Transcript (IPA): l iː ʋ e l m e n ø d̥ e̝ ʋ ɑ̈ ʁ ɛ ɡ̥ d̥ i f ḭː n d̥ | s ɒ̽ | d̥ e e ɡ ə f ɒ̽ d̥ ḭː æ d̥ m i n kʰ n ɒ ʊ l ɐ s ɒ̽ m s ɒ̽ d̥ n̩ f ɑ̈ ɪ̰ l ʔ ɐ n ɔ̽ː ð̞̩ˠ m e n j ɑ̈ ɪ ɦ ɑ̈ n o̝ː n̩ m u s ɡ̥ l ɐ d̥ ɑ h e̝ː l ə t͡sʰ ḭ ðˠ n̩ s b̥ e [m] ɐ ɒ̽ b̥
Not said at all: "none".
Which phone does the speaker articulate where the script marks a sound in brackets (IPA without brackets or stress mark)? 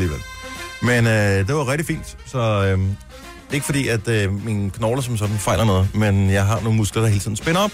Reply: n